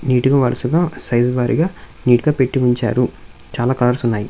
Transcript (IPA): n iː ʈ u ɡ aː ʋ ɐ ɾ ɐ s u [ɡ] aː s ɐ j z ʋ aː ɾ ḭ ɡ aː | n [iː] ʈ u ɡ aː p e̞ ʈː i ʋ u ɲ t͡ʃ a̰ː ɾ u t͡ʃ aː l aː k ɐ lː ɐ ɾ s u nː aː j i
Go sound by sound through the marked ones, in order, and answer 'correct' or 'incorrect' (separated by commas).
correct, correct